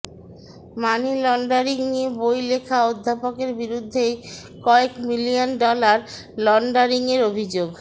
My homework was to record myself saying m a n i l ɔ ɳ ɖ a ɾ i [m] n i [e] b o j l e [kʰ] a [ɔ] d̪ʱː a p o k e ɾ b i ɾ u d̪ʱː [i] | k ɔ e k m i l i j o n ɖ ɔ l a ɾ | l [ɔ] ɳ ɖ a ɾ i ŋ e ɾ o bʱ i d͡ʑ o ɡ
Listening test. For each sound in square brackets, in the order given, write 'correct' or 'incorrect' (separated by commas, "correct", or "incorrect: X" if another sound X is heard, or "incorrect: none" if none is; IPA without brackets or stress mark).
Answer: incorrect: ŋ, correct, correct, incorrect: o, incorrect: e, correct